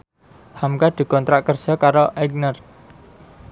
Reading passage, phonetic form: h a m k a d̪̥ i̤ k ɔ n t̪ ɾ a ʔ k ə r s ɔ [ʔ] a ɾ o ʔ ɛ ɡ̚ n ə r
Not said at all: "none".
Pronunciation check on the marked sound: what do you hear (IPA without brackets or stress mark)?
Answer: k